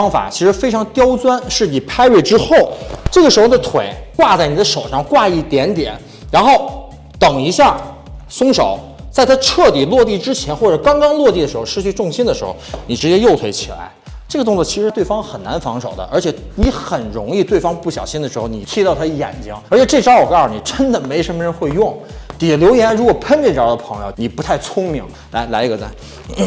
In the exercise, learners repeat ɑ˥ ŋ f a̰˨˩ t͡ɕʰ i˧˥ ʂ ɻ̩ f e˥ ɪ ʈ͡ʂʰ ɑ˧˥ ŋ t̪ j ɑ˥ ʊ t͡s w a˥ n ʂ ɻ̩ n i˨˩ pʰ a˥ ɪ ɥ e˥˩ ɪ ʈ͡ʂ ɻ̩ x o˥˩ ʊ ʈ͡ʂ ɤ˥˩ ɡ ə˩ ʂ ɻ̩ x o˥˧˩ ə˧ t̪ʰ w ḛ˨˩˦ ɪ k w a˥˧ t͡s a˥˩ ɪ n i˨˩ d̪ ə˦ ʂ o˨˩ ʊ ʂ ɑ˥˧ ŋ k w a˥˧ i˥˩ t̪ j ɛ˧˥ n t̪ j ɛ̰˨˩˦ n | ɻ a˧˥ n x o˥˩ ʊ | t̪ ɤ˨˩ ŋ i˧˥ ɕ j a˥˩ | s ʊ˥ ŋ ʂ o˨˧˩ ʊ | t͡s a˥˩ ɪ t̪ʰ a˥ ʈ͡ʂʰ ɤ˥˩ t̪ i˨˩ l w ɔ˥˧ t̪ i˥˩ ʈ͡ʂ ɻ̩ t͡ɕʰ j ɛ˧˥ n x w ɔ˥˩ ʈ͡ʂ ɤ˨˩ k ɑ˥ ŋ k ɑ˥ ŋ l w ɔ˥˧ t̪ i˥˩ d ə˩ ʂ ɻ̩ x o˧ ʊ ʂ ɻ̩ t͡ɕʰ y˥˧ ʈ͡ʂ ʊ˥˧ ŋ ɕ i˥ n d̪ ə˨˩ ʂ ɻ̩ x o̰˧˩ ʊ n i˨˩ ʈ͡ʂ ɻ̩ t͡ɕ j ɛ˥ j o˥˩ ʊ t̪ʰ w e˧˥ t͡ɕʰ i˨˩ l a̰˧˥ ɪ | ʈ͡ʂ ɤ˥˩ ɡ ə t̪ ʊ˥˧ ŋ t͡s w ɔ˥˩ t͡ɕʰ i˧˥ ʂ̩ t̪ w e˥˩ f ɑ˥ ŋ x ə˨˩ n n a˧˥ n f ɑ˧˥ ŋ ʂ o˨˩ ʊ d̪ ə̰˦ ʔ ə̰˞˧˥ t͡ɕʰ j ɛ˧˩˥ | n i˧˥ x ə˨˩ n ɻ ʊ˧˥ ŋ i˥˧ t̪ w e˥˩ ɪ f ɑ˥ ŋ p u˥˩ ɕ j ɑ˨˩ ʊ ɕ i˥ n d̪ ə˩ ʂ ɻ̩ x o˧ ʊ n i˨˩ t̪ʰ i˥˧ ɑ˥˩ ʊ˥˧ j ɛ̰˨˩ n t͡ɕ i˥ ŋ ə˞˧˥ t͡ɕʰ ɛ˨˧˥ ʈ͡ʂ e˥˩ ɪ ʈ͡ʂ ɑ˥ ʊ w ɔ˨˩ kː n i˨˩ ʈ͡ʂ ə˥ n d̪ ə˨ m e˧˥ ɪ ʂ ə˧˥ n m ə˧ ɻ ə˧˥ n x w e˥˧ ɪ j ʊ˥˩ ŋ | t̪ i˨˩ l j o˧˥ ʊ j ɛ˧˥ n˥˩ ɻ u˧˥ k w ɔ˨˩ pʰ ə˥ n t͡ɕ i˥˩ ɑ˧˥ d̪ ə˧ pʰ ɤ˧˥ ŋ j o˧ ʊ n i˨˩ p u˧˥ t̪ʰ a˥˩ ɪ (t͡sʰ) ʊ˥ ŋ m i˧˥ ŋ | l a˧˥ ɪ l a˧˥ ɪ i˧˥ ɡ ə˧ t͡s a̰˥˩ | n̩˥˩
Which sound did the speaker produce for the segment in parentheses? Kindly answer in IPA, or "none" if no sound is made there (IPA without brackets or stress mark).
t͡sʰ